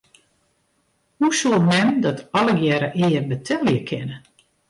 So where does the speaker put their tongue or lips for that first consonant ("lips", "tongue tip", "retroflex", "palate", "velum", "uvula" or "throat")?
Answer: throat